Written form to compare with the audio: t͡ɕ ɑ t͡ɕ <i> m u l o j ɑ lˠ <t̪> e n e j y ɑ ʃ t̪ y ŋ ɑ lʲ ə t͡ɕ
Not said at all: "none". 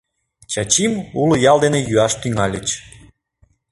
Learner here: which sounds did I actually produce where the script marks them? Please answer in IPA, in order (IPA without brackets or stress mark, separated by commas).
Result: i, d̪